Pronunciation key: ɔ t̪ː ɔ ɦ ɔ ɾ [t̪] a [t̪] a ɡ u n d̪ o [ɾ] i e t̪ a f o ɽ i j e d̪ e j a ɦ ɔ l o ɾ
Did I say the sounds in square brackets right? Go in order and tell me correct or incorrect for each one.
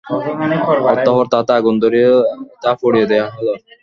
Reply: correct, correct, correct

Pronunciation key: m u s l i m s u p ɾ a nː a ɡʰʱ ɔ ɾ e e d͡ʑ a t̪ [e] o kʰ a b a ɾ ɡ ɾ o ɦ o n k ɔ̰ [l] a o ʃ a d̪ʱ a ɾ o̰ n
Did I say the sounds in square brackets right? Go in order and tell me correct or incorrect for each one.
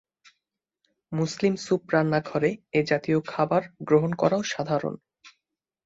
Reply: incorrect, incorrect

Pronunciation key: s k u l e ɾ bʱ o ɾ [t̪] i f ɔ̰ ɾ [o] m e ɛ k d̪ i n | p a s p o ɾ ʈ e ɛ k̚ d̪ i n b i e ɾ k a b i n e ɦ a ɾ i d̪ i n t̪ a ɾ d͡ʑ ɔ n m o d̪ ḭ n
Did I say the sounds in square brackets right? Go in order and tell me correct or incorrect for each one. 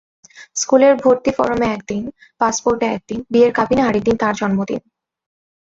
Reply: correct, correct

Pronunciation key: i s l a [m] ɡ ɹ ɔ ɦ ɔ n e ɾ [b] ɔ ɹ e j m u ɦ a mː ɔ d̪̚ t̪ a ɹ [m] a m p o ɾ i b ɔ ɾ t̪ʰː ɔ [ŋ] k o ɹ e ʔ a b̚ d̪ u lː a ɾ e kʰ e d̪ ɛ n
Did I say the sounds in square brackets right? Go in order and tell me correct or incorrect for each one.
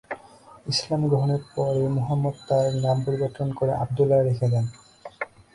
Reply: correct, incorrect, incorrect, incorrect

